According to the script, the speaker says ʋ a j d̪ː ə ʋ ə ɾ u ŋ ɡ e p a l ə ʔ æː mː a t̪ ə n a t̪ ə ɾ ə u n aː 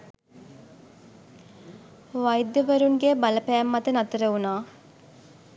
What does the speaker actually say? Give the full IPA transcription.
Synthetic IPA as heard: ʋ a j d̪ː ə ʋ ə ɾ u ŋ ɡ e b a l ə p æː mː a t̪ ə n a t̪ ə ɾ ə u n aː